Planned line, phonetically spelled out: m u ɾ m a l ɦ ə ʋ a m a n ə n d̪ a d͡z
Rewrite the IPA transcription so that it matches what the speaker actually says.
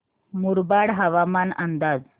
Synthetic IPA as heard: m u ɾ b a ɽ ɦ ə ʋ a m a n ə n d̪ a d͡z